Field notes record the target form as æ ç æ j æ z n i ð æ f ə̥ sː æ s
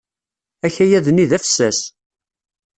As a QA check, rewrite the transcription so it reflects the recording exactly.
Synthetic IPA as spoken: æ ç æ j æ ð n i ð æ f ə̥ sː æ s